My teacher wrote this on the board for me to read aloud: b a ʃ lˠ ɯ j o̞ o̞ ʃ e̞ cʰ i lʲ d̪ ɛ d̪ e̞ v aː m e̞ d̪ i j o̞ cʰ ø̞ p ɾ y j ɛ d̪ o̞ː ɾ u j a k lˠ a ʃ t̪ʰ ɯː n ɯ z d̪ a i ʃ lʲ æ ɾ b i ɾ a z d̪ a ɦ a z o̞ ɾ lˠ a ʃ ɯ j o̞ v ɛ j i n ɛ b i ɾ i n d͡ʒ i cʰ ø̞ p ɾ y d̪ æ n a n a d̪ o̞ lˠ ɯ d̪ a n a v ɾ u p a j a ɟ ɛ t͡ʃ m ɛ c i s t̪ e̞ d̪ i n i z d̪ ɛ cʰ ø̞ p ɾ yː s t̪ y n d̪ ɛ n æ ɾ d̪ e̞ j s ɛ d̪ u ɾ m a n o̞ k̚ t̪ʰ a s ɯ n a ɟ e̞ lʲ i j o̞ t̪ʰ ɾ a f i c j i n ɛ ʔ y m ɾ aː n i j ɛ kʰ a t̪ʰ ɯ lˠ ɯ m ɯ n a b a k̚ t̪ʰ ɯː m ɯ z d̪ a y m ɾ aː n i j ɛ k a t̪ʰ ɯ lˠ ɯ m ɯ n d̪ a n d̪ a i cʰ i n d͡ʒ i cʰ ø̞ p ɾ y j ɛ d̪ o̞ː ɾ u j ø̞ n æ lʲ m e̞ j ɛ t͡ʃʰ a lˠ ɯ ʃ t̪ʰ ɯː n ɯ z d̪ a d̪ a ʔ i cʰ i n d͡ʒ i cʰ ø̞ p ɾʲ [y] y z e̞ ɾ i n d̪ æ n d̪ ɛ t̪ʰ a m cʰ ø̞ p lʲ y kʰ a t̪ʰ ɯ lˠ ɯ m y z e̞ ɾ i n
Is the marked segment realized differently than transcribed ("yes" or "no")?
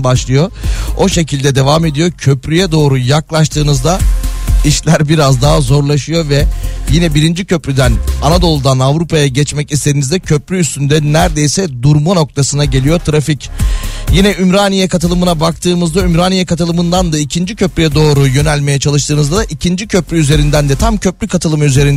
no